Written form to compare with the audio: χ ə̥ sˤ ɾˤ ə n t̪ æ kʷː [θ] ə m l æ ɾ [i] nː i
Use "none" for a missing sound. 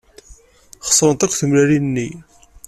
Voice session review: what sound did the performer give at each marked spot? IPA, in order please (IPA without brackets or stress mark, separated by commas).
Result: θ, i